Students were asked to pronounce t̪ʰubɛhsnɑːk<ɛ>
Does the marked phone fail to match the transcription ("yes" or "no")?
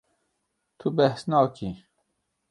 yes